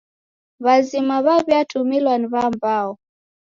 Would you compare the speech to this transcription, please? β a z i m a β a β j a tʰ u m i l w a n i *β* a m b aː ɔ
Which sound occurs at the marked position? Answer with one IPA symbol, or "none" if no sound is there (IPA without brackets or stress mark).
β